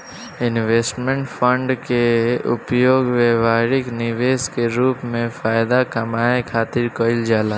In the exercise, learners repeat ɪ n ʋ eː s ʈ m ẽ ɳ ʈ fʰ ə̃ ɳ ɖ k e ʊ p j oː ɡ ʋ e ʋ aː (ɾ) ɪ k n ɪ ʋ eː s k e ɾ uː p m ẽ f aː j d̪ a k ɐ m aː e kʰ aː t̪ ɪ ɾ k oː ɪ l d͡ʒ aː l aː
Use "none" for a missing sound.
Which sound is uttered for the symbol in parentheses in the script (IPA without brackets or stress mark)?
ɾ